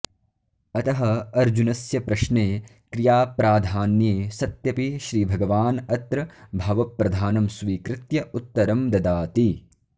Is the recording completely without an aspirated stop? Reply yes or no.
yes